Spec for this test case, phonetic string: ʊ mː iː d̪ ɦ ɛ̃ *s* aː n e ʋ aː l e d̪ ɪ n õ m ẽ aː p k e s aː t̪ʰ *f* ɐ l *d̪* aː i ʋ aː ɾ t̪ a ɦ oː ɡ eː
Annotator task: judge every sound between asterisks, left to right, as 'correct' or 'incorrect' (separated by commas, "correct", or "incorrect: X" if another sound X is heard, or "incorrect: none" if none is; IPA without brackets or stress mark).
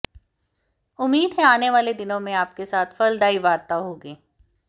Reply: incorrect: none, correct, correct